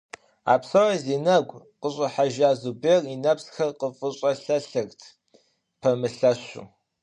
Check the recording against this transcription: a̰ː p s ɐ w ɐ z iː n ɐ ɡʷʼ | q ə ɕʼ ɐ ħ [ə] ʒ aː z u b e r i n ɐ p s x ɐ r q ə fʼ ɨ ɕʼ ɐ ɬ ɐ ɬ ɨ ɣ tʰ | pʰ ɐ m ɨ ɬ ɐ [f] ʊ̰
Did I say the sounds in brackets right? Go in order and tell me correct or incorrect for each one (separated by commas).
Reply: incorrect, incorrect